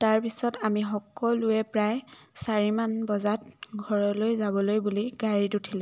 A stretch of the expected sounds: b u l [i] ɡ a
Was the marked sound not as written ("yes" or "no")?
no